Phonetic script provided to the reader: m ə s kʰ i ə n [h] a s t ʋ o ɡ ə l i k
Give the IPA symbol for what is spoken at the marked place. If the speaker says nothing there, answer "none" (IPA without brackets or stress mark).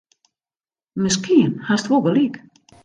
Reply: h